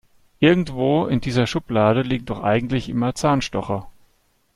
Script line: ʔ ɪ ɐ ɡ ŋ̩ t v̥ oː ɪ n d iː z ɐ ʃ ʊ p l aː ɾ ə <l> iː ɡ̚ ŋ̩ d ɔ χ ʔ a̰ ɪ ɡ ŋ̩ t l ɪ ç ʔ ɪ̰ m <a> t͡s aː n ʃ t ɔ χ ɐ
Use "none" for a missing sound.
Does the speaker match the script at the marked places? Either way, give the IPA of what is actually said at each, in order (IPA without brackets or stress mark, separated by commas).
l, ɐ